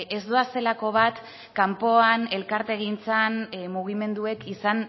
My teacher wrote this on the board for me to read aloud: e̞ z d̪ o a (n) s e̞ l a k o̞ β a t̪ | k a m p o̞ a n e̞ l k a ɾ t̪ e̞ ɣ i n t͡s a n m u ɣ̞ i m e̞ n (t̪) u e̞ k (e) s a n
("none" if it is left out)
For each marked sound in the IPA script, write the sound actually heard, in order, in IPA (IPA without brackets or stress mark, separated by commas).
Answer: none, d̪, i